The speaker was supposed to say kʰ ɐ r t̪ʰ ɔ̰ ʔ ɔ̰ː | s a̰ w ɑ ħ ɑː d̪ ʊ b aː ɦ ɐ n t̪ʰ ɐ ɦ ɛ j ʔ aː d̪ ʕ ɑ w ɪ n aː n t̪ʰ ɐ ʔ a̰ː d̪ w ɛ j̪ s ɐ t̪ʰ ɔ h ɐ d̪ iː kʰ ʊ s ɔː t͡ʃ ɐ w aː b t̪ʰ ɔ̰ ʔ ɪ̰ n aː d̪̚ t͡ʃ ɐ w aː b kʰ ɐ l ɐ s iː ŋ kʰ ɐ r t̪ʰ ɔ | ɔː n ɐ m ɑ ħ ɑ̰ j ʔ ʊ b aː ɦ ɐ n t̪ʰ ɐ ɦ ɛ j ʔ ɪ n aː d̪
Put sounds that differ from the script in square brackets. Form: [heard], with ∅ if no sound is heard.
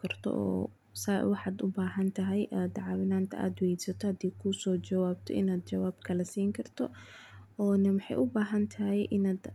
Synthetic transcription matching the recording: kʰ ɐ r t̪ʰ ɔ̰ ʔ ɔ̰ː | s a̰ w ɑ ħ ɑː d̪ ʊ b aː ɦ ɐ n t̪ʰ ɐ ɦ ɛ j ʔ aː d̪ ʕ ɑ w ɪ n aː n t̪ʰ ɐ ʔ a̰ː d̪ w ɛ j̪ s ɐ t̪ʰ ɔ h ɐ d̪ iː kʰ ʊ s ɔː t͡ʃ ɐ w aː b t̪ʰ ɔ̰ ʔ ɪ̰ n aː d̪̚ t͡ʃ ɐ w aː b kʰ ɐ l ɐ s iː ŋ kʰ ɐ r t̪ʰ ɔ | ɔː n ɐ m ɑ ħ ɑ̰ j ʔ ʊ b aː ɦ ɐ n t̪ʰ ɐ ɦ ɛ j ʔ ɪ n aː d̪